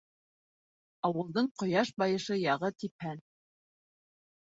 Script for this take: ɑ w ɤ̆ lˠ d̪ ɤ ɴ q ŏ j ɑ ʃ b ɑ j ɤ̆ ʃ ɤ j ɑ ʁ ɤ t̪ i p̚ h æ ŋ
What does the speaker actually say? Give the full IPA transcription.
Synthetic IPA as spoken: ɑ w ɤ̆ lˠ d̪ ɤ ɴ q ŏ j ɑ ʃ b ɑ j ɤ̆ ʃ ɤ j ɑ ʁ ɤ t̪ i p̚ h æ n